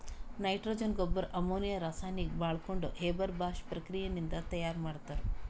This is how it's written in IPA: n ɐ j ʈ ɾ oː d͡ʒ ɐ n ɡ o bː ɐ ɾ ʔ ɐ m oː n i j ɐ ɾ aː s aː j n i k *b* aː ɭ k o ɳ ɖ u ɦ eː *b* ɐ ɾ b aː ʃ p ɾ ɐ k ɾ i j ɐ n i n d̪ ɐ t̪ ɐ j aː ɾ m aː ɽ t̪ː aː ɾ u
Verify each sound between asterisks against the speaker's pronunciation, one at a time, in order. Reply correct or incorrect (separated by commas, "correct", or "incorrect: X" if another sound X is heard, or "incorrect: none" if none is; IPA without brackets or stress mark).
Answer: correct, correct